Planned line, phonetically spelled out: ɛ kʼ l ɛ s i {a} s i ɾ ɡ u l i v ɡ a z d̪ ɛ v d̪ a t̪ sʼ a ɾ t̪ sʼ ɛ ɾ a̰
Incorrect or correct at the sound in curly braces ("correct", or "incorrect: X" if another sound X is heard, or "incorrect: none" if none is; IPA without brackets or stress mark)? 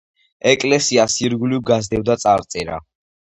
correct